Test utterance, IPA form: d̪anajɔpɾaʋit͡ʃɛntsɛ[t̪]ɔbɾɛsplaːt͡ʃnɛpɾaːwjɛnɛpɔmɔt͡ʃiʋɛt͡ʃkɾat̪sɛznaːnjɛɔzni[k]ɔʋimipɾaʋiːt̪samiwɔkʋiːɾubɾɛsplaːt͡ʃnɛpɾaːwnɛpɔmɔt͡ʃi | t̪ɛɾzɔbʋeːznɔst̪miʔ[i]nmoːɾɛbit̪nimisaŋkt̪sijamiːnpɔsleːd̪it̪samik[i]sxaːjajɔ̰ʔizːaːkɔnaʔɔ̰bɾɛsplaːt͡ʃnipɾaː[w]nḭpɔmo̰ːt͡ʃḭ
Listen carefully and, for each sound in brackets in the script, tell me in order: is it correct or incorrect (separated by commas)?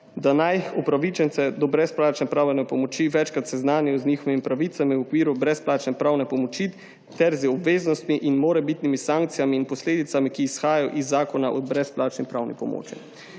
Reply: incorrect, incorrect, correct, incorrect, correct